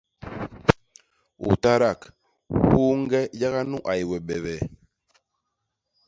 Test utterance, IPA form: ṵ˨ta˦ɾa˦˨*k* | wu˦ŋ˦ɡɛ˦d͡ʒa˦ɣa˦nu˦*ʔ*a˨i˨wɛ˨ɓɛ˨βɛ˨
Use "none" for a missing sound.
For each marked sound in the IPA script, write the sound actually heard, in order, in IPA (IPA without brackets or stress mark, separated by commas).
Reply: k, ʔ